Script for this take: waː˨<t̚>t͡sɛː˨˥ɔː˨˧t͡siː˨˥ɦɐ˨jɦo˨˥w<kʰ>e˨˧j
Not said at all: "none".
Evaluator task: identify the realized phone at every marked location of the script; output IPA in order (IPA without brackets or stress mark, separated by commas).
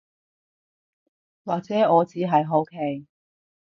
k̚, kʰ